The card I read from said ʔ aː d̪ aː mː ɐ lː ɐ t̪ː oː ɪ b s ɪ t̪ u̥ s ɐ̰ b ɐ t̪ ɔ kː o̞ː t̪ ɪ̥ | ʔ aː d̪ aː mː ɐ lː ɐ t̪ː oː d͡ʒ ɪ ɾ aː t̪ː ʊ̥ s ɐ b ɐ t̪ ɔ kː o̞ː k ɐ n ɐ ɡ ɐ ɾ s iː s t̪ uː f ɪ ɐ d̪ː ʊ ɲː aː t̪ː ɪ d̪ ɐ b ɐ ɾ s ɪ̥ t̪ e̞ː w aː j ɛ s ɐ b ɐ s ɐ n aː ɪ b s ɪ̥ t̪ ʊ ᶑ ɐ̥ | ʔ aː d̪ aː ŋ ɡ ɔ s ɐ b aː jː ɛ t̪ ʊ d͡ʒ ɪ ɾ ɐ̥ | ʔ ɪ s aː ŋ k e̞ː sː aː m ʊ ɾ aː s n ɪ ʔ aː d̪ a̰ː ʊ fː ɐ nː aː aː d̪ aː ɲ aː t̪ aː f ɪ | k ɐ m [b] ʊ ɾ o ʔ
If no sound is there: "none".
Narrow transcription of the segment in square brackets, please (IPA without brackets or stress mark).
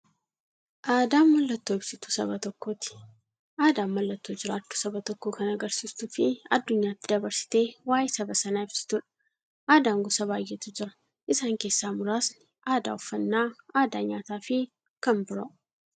b